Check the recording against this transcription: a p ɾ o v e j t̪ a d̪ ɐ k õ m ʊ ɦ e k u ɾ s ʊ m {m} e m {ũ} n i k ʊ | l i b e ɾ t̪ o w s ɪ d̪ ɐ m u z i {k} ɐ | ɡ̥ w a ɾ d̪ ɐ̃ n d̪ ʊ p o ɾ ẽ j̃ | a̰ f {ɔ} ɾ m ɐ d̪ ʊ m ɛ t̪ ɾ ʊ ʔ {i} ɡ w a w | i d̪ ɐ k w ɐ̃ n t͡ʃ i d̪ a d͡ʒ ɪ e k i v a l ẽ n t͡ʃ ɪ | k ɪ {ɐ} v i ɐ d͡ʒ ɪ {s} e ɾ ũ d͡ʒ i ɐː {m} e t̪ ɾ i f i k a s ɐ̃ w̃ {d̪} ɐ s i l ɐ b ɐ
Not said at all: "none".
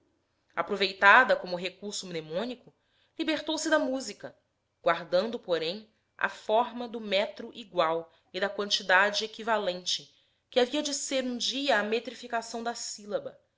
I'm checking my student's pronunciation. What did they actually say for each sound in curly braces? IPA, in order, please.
n, õ, k, ɔ, i, a, s, m, d̪

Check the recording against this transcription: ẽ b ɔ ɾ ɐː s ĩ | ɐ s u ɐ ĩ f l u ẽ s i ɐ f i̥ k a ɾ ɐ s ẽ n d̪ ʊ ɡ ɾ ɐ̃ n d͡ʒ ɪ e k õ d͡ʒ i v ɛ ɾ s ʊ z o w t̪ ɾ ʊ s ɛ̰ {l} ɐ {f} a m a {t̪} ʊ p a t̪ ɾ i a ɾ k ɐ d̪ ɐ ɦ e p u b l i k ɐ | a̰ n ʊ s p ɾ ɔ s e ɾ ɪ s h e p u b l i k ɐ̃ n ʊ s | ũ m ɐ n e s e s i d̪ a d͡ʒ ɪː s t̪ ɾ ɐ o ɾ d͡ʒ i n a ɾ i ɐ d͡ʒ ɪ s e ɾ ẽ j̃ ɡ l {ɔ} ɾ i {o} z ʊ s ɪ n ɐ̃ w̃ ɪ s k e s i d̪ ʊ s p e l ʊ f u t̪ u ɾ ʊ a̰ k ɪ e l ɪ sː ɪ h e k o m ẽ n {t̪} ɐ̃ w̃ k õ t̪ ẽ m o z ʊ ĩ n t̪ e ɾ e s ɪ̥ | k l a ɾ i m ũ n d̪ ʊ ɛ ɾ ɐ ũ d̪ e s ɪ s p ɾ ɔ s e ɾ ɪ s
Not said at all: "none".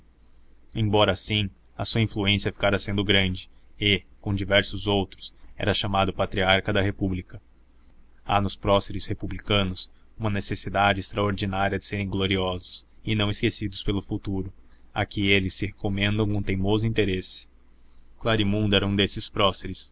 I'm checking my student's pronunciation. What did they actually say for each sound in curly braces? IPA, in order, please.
ɾ, ʃ, d̪, o, ɔ, d̪

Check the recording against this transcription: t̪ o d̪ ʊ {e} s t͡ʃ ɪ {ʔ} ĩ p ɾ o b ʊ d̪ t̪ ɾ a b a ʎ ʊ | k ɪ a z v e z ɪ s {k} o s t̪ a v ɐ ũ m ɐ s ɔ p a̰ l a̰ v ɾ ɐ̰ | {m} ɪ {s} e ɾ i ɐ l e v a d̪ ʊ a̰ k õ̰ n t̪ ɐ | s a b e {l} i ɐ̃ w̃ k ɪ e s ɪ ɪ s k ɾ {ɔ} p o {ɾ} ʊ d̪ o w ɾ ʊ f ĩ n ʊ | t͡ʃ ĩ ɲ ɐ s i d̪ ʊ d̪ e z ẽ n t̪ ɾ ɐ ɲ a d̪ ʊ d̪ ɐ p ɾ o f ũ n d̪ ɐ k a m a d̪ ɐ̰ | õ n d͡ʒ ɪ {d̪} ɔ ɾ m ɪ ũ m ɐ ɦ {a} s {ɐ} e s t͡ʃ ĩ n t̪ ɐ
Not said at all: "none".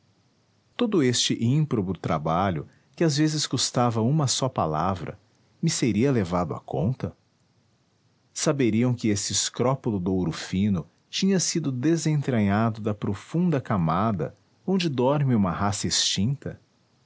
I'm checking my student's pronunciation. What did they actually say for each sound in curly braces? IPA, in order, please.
e, ʔ, k, m, s, ɾ, ɔ, l, d̪, a, ɐ

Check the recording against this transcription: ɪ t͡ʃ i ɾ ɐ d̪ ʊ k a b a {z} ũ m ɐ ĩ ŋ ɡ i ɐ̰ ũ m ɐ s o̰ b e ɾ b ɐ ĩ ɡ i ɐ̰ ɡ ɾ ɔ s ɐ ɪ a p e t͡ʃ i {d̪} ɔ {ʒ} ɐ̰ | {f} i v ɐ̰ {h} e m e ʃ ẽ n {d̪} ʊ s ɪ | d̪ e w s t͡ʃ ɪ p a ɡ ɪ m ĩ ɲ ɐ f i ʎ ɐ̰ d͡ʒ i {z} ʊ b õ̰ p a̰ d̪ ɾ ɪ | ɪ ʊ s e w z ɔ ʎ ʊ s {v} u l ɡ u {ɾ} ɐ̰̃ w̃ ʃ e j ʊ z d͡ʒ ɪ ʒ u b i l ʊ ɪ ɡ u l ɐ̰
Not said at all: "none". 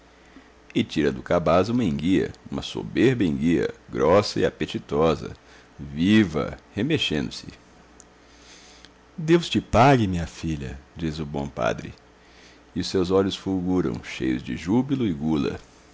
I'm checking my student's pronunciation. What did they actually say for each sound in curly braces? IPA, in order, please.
z, t̪, z, v, h, d̪, z, f, ɾ

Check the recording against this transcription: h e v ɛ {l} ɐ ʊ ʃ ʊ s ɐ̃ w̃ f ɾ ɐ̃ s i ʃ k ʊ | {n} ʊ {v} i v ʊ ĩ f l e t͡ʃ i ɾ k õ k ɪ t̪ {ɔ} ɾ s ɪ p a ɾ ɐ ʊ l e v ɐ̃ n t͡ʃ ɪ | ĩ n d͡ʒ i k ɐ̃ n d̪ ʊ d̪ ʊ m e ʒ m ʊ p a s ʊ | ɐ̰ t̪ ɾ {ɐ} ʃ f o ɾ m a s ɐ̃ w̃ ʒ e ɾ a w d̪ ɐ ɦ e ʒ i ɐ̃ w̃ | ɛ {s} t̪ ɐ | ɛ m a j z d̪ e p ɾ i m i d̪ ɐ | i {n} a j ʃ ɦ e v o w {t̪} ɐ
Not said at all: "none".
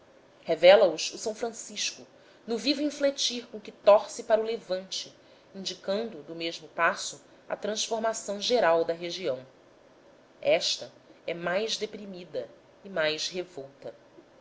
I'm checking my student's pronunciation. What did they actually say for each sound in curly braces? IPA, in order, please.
l, n, v, ɔ, ɐ̃, ʃ, m, t̪

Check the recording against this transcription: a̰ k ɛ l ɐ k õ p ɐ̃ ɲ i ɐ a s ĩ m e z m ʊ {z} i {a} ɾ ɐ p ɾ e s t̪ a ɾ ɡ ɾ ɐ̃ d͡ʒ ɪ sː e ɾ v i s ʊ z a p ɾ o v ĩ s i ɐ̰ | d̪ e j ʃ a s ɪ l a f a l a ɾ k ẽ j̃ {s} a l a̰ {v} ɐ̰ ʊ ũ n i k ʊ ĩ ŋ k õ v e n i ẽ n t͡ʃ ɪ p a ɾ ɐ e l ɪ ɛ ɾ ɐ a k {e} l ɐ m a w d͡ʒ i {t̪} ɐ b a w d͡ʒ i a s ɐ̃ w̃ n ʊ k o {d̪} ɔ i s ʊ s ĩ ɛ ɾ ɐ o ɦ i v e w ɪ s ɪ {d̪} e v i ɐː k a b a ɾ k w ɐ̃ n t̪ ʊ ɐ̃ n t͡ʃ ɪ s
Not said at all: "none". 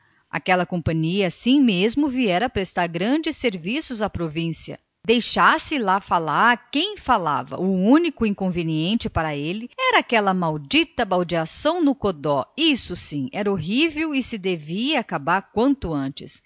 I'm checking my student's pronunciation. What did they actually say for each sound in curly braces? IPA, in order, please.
v, ɛ, f, v, ɛ, t̪, d̪, d̪

